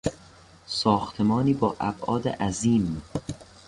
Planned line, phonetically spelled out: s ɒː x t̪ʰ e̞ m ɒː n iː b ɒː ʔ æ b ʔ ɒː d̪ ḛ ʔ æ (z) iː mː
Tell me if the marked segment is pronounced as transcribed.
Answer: yes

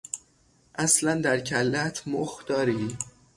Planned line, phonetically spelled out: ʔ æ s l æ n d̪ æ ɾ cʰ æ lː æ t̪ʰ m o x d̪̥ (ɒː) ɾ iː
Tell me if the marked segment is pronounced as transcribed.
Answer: yes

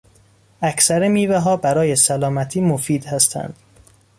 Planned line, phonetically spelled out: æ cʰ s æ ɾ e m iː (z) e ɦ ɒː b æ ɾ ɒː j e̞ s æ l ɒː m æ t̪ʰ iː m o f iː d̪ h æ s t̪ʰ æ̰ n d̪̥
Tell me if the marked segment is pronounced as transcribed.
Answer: no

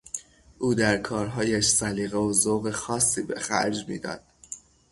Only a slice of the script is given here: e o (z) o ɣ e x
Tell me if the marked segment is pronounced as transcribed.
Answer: yes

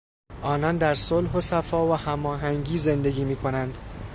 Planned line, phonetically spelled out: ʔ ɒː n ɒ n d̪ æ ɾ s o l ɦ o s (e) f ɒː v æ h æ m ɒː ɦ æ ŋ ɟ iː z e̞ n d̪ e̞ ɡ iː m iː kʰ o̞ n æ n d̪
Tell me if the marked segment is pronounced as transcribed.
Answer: no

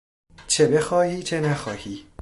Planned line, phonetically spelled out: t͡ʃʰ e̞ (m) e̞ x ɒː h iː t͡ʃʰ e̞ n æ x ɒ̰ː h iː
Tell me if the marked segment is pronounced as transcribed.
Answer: no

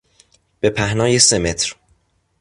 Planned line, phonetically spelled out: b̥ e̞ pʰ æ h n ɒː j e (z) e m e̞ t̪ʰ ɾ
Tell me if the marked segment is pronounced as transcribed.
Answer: no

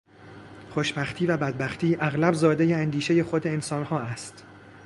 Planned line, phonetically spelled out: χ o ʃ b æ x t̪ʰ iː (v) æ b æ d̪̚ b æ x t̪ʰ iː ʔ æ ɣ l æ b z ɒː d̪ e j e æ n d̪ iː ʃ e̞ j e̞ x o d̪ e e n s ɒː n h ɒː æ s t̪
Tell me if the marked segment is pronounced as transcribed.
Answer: yes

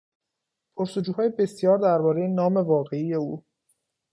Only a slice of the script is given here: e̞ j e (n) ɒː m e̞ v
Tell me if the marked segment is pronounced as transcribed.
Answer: yes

